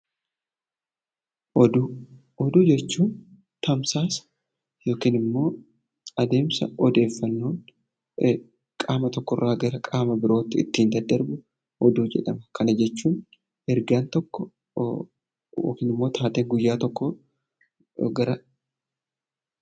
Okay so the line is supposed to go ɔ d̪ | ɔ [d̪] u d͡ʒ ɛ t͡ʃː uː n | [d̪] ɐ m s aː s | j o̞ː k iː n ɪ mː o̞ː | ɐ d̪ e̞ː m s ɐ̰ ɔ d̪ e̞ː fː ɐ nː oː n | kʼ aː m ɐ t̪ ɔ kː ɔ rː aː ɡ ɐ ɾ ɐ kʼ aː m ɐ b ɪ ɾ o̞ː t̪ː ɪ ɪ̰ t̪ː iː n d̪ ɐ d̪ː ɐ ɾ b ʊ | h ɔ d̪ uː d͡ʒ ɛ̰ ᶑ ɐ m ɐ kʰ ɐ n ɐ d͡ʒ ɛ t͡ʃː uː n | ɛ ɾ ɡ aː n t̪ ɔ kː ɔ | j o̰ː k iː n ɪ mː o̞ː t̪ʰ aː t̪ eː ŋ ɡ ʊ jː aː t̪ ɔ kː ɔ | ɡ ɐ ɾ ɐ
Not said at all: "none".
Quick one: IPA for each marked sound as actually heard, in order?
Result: d̪, t̪

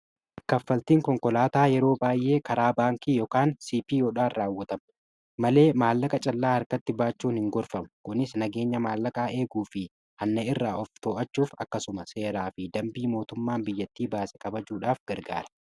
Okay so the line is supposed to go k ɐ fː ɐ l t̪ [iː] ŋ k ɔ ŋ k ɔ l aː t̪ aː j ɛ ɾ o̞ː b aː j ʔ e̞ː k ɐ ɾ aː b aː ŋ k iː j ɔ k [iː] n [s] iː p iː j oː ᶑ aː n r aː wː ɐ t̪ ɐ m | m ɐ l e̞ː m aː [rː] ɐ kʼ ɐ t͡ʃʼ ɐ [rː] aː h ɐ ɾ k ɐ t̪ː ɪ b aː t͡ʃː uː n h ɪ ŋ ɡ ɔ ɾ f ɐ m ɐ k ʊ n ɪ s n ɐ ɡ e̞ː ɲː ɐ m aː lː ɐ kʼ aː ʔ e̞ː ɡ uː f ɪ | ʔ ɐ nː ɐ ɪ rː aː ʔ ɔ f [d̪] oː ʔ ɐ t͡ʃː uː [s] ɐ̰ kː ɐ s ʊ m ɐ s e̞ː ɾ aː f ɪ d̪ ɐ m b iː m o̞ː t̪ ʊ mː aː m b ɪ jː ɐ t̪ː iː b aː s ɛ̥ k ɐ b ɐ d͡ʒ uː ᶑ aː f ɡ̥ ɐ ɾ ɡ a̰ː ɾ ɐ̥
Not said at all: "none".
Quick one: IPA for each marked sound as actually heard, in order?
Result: iː, aː, s, lː, lː, t̪, f

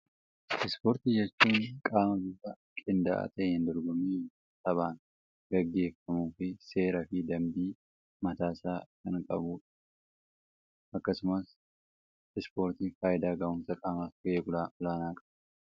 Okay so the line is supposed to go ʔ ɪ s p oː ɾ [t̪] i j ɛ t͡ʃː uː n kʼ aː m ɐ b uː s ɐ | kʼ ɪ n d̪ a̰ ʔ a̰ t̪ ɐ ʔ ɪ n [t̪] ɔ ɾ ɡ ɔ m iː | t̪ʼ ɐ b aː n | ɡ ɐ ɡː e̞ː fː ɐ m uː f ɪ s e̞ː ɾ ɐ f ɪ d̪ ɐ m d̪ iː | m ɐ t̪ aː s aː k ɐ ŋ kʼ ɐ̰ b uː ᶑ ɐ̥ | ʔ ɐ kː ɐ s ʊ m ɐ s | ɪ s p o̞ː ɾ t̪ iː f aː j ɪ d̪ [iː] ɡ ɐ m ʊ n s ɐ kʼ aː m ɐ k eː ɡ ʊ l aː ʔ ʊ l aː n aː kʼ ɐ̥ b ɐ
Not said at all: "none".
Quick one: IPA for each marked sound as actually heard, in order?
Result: t̪, d̪, aː

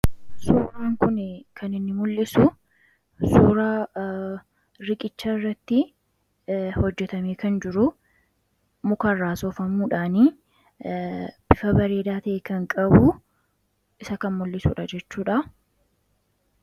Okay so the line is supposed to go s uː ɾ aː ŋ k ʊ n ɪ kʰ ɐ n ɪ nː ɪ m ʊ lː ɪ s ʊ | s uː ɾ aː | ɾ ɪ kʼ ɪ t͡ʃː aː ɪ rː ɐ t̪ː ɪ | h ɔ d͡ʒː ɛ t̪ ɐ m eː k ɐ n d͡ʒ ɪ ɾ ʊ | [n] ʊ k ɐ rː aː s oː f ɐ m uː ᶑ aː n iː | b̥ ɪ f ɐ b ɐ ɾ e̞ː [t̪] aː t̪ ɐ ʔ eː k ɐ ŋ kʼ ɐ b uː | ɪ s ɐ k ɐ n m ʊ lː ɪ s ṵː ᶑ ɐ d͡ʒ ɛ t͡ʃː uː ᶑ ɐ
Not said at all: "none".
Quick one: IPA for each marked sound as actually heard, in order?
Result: m, d̪

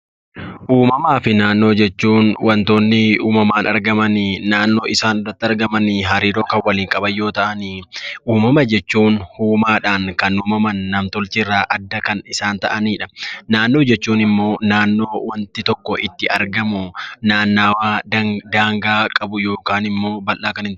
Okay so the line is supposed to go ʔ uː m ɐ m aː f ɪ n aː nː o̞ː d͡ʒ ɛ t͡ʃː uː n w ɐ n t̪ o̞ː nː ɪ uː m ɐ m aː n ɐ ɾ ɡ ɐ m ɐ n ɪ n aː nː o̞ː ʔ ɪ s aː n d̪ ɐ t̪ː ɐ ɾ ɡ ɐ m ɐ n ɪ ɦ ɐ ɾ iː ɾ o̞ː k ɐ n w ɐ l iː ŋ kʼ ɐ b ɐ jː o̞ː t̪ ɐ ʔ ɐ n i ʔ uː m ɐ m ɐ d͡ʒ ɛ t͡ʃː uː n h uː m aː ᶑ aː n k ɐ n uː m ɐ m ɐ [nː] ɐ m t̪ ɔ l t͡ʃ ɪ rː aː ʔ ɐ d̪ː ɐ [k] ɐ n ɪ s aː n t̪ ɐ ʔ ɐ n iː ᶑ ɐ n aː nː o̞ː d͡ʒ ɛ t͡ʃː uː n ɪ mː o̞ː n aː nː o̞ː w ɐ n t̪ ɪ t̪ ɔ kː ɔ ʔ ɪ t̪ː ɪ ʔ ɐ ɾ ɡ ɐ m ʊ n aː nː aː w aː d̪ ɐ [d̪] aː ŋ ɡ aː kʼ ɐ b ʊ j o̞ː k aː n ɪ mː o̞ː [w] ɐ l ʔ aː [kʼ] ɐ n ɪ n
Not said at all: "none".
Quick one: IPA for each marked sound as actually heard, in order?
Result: nː, k, d̪, b, k

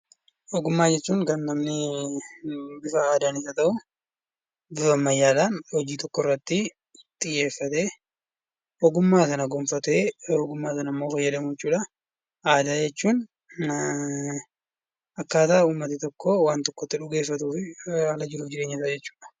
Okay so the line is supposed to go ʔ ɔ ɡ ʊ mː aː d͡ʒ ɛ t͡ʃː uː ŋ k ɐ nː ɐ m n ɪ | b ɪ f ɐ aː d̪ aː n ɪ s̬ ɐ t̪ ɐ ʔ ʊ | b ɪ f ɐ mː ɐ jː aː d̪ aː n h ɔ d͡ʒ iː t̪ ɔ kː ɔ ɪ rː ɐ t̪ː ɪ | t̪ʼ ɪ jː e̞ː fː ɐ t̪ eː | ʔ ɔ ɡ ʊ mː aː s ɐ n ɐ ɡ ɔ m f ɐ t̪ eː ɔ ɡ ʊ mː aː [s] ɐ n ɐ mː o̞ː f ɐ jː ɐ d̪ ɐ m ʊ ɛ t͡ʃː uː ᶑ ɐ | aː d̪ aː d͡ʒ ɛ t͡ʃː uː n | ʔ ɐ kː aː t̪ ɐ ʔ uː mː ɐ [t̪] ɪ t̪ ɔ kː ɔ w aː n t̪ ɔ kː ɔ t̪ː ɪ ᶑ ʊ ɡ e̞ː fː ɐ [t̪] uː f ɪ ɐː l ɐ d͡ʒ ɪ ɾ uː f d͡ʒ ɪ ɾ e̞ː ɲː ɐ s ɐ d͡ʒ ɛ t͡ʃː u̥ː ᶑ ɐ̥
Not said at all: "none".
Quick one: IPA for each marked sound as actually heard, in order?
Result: s, t̪, t̪

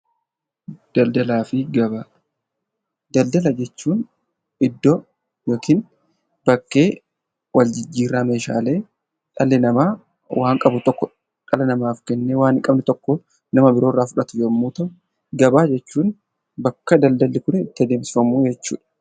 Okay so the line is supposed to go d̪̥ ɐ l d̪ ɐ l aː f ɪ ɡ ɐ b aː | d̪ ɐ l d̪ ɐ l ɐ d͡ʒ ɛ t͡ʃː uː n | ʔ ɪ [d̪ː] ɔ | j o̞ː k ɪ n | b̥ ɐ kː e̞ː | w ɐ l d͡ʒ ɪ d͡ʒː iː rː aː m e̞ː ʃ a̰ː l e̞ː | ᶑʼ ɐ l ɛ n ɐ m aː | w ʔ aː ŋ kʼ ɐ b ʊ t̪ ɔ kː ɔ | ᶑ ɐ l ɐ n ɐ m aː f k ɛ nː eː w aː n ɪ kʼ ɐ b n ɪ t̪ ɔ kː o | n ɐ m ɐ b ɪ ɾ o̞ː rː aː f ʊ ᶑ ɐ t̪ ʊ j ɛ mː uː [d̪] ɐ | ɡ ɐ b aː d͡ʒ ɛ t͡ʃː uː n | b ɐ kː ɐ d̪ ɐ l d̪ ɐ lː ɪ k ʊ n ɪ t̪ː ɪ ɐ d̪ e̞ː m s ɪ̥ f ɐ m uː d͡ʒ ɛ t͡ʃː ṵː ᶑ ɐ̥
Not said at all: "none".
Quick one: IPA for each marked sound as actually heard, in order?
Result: d̪ː, t̪

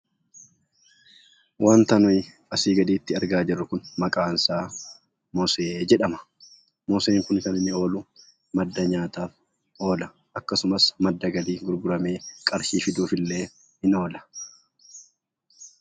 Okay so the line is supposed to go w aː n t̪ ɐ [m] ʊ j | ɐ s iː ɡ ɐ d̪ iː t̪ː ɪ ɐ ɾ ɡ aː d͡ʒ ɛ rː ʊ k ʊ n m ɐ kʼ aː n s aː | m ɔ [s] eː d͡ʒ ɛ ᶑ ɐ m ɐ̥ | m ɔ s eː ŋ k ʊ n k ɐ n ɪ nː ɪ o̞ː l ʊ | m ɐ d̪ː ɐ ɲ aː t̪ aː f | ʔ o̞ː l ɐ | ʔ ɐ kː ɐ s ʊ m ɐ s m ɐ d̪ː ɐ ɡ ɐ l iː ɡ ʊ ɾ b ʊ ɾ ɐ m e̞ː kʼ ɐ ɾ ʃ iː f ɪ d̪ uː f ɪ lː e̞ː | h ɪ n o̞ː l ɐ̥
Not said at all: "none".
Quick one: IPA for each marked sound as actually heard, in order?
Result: n, s

